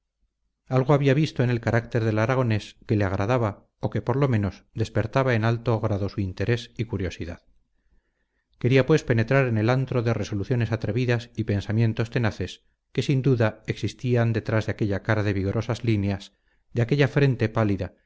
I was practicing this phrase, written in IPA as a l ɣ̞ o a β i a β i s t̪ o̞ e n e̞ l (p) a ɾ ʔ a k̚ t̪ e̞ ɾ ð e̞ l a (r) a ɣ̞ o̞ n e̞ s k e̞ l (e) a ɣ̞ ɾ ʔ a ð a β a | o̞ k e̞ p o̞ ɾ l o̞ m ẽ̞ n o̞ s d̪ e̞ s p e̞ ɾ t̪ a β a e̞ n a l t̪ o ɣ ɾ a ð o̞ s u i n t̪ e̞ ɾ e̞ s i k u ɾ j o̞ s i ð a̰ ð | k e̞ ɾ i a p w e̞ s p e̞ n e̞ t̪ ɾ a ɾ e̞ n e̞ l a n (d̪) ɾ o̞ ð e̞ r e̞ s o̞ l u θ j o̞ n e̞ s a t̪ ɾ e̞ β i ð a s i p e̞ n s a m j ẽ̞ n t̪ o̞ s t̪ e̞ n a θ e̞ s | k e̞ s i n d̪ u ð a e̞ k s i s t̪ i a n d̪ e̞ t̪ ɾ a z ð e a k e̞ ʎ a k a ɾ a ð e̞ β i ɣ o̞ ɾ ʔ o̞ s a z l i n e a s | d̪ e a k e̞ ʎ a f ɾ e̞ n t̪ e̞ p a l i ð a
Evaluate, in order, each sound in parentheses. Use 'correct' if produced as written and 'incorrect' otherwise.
incorrect: k, incorrect: ɾ, correct, incorrect: t̪

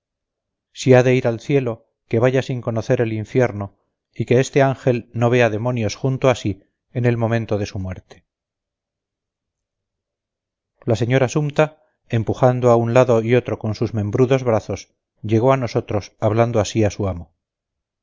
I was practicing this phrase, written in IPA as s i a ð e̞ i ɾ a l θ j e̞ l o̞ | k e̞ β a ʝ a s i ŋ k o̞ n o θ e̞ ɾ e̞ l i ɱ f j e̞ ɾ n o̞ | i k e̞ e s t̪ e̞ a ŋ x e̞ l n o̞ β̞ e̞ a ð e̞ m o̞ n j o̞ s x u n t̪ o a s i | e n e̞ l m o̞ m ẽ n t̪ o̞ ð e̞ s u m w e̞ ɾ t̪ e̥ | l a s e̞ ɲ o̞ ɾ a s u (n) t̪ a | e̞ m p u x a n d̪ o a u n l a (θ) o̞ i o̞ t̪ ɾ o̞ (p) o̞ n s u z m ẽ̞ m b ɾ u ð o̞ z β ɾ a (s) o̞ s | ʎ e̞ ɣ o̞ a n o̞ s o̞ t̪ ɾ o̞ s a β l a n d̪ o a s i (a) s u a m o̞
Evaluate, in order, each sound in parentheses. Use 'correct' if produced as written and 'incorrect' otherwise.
incorrect: m, incorrect: ð, incorrect: k, incorrect: θ, correct

